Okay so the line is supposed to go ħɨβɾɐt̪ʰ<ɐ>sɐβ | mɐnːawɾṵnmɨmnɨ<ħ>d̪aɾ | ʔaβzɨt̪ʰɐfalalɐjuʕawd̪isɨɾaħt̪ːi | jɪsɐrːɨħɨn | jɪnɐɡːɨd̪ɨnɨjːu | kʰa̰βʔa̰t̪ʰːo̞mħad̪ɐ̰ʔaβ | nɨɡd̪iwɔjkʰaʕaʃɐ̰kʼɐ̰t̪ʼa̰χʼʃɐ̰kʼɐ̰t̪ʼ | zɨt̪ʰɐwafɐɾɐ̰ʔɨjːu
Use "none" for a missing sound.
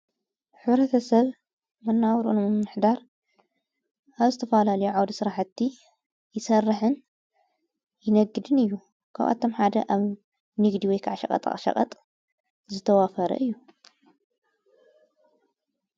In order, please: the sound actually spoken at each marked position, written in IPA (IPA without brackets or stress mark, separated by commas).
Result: ɐ, ħ